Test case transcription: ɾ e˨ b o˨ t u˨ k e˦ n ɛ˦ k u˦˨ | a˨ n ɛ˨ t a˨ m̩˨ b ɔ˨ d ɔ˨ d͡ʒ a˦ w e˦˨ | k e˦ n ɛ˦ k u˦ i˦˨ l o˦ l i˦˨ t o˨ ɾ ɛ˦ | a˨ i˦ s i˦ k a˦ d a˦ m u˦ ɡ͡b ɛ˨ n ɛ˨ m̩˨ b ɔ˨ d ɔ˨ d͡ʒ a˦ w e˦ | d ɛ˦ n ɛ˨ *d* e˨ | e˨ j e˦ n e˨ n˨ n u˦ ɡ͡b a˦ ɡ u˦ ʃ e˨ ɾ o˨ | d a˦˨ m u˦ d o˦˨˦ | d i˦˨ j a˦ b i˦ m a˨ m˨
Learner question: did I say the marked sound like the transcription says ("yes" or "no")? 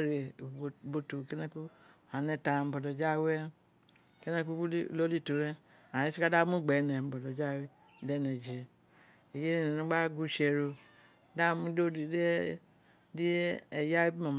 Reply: no